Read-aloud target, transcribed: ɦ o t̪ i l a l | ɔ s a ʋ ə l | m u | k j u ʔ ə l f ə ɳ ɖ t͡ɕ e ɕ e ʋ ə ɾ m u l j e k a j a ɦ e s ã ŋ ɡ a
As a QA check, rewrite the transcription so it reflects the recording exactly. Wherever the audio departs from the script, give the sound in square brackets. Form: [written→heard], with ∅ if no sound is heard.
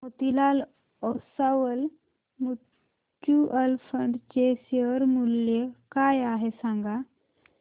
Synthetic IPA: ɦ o t̪ i l a l | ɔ s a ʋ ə l | m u | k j u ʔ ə l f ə ɳ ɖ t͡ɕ e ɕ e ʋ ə ɾ m u l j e k a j a ɦ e s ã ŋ ɡ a